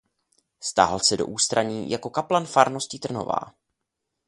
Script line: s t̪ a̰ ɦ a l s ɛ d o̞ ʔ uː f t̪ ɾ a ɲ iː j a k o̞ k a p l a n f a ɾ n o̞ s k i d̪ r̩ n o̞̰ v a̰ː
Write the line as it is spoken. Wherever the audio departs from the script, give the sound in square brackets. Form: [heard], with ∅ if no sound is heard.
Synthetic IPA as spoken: s t̪ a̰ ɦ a l s ɛ d o̞ ʔ uː [s] t̪ ɾ a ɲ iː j a k o̞ k a p l a n f a ɾ n o̞ s [c] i [t̪] r̩ n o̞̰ v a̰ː

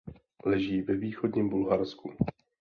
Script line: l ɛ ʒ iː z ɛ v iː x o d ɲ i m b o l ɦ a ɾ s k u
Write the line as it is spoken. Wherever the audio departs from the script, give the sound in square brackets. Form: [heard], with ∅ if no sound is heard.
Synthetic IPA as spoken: l ɛ ʒ iː [v] ɛ v iː x o d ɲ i m b [u] l ɦ a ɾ s k u

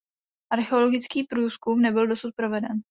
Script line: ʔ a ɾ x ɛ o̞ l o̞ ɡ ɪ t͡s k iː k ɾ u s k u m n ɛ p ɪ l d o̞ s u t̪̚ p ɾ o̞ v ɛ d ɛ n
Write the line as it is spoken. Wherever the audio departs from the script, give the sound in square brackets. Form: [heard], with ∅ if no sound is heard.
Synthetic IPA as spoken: ʔ a ɾ x ɛ o̞ l o̞ ɡ ɪ t͡s k iː [p] ɾ [uː] s k u m n ɛ [b] ɪ l d o̞ s u t̪̚ p ɾ o̞ v ɛ d ɛ n

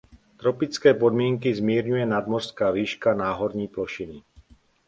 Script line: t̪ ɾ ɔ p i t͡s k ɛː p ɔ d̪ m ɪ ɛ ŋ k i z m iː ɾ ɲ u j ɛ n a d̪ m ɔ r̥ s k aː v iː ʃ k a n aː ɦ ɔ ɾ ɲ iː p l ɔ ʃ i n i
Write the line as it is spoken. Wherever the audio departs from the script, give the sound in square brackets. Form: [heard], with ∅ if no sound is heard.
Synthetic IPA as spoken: t̪ ɾ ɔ p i t͡s k ɛː p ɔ d̪ m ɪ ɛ ŋ k i z m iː ɾ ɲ u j ɛ n a d̪ m ɔ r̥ s k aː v iː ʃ k a n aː ɦ ɔ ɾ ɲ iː p l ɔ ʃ i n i

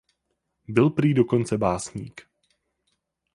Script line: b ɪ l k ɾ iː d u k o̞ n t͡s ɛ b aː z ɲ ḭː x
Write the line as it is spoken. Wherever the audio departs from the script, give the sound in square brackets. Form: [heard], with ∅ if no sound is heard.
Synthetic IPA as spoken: b ɪ l [p] ɾ iː d [o] k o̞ n t͡s ɛ b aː [s] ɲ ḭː [k]

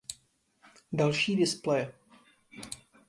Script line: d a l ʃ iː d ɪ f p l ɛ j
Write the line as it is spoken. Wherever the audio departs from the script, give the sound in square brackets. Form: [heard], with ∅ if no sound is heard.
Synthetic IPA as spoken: d a l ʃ iː d ɪ [s] p l ɛ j

